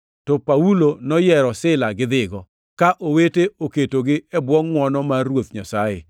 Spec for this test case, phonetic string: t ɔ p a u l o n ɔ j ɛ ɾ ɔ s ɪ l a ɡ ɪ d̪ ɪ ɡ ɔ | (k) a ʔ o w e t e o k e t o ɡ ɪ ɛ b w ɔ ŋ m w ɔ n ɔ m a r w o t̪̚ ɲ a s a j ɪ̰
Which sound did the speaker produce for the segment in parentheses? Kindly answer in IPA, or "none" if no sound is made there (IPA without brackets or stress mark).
k